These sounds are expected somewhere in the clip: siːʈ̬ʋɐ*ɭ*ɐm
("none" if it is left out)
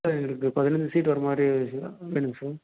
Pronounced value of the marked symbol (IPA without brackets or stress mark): ɾ